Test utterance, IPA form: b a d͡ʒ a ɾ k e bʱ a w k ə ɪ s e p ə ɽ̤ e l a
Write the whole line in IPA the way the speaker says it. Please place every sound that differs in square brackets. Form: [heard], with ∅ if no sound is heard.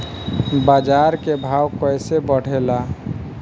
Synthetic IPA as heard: b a d͡ʒ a ɾ k e bʱ a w k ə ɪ s e [b] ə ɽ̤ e l a